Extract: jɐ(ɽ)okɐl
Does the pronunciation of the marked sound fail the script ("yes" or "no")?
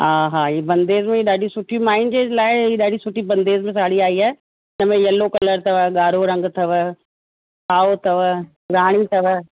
yes